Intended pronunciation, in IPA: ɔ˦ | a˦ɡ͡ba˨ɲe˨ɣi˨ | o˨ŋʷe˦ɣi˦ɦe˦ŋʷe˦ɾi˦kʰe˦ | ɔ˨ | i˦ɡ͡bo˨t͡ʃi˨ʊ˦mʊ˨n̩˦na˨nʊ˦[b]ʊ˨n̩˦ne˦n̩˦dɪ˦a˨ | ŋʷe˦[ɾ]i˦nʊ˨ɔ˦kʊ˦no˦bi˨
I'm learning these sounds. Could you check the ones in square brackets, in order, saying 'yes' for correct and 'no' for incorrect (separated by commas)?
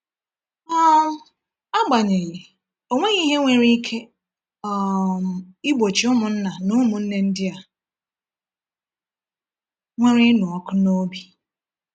no, yes